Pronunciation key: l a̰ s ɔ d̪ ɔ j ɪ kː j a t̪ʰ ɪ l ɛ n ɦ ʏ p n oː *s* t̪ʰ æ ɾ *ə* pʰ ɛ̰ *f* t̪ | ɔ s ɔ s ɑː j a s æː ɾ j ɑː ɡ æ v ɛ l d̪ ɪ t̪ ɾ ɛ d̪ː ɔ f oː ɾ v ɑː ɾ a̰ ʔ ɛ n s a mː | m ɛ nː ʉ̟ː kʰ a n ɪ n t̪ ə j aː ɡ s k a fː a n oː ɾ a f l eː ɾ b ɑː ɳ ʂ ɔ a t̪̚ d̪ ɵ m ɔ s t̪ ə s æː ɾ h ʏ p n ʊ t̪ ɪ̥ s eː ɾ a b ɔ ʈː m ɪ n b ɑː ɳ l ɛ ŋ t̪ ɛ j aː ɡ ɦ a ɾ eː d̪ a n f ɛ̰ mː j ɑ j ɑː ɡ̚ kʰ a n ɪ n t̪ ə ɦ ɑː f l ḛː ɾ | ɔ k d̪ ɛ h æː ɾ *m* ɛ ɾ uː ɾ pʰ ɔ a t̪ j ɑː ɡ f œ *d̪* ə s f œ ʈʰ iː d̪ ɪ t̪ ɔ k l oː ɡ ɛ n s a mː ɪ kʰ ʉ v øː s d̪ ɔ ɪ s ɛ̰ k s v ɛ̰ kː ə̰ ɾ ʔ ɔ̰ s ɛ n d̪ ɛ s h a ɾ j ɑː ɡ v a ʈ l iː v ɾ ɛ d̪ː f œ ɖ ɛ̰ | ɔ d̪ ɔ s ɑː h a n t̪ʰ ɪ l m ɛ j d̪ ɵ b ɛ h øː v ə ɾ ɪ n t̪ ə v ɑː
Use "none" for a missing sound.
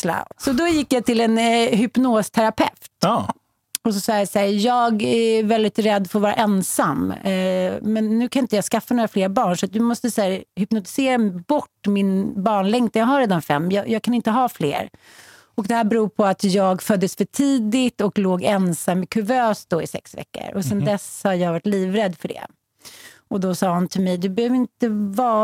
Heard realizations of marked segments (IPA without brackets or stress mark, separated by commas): s, a, f, b, d̪ː